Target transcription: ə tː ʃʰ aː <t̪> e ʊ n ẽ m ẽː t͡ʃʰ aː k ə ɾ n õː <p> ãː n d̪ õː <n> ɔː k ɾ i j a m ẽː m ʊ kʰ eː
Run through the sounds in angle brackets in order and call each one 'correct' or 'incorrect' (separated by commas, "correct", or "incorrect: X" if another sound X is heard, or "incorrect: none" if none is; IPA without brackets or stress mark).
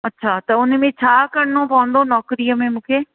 correct, correct, correct